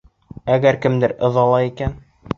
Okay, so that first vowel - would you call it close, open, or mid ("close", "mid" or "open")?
open